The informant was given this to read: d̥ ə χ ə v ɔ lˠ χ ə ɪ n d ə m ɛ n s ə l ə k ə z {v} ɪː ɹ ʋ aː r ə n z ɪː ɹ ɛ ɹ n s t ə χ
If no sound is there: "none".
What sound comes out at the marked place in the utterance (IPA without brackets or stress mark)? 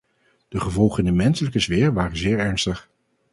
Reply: ʋ